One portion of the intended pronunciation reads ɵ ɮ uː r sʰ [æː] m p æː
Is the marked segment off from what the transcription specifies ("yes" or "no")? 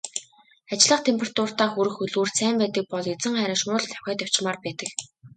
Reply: no